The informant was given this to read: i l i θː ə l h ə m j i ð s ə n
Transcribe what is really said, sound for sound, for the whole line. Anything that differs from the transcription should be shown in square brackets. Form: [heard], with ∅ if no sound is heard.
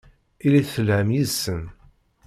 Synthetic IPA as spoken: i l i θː ə l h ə m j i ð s ə n